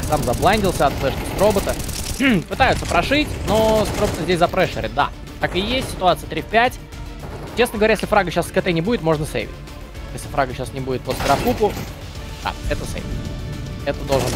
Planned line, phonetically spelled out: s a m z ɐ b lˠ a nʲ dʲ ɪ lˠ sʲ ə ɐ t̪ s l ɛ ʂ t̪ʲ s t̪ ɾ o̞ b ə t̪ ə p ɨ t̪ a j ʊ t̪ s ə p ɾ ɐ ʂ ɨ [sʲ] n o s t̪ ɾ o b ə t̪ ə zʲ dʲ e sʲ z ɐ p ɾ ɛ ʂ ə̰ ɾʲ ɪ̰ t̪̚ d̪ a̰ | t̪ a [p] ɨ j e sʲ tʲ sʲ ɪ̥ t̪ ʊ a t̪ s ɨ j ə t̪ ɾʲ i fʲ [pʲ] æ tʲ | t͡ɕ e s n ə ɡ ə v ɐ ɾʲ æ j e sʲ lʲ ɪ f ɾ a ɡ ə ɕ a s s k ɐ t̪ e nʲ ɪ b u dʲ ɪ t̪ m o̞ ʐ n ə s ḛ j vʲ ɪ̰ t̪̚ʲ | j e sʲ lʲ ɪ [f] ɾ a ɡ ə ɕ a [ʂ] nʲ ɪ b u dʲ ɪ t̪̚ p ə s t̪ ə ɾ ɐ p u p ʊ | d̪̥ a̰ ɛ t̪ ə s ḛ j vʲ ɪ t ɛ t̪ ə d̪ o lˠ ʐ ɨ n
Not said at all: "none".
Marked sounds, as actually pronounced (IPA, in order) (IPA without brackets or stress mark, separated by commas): tʲ, k, pʲ, f, s